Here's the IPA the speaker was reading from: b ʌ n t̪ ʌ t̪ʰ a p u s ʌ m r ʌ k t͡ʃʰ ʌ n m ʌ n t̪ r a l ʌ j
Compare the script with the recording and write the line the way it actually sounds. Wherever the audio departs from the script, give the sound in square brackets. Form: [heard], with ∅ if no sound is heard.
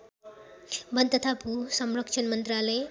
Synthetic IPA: b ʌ n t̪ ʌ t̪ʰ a p u s ʌ m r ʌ k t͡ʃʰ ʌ n m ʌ n t̪ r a l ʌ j